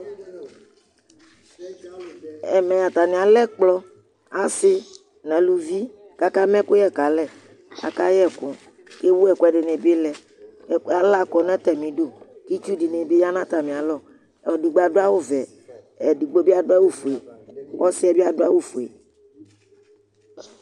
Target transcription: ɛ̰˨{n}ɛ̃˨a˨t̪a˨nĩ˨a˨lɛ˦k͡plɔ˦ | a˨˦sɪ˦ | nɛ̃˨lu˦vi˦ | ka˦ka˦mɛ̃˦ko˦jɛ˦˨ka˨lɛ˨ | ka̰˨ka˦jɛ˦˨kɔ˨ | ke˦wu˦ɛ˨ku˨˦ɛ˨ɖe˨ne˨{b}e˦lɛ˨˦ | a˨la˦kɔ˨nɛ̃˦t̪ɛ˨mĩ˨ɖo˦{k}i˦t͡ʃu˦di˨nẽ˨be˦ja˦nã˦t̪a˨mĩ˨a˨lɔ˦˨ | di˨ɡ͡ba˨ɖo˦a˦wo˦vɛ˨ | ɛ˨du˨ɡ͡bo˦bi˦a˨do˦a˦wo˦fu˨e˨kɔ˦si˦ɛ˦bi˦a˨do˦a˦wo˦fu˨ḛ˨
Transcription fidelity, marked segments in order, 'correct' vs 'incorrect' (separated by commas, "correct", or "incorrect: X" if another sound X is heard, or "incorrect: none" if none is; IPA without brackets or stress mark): incorrect: m, correct, correct